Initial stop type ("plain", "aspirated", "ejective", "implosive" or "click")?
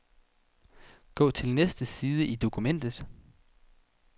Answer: plain